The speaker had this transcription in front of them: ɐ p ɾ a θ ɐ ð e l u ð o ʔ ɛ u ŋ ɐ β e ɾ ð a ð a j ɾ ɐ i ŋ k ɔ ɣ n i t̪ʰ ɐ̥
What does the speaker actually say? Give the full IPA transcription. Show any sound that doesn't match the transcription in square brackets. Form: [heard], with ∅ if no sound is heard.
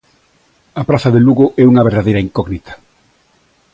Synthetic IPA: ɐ p ɾ a θ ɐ ð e l u [ɣ] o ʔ ɛ u ŋ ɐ β e ɾ ð a ð [e] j ɾ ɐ i ŋ k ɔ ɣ n i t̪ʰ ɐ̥

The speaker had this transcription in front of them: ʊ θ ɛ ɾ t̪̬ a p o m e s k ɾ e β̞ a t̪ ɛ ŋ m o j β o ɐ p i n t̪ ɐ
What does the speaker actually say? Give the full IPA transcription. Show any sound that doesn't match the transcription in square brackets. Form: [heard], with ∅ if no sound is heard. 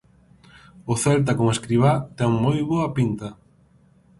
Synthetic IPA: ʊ θ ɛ [l] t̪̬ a [k] o m e s k ɾ [i] β̞ a t̪ ɛ ŋ m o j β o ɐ p i n t̪ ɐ

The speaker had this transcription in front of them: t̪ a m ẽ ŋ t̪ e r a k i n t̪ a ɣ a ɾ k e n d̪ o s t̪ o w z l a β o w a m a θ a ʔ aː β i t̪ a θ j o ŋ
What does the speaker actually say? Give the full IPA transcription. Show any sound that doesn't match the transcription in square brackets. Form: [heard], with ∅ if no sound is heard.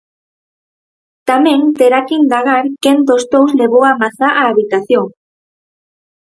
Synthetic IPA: t̪ a m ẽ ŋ t̪ e [ɾ] a k i n [d̪] a ɣ a ɾ k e n d̪ o s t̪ o w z l [e] β o w a m a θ a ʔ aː β i t̪ a θ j o ŋ

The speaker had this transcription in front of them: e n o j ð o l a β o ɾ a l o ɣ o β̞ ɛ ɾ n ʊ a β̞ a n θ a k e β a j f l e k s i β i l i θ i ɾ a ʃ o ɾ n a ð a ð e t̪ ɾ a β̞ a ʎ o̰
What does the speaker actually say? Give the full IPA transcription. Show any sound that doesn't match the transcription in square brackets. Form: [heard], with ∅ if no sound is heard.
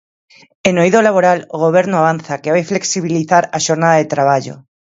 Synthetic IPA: e n o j ð o l a β o ɾ a l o ɣ o β̞ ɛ ɾ n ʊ a β̞ a n θ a k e β a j f l e k s i β i l i θ [a] ɾ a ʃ o ɾ n a ð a ð e t̪ ɾ a β̞ a ʎ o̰

